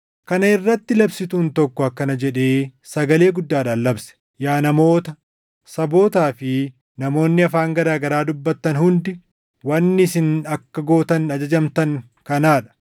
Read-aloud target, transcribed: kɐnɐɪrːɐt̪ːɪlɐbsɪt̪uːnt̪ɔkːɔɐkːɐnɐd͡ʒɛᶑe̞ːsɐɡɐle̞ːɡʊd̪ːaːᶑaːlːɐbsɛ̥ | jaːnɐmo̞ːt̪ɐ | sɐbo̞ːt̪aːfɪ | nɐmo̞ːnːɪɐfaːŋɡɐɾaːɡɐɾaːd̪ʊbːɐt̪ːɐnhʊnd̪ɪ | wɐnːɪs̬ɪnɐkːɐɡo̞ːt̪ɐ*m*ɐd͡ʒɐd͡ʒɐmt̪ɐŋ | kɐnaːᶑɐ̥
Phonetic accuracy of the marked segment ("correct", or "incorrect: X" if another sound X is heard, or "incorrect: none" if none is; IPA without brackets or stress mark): incorrect: n